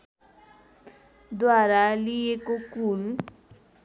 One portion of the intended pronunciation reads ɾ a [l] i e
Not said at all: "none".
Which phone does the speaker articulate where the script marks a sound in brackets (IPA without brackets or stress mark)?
l